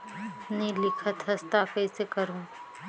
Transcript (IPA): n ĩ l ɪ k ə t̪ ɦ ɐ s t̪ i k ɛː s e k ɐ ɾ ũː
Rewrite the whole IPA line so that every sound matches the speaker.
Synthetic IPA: n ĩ l ɪ kʰ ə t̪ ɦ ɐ s t̪ a k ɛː s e k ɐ ɾ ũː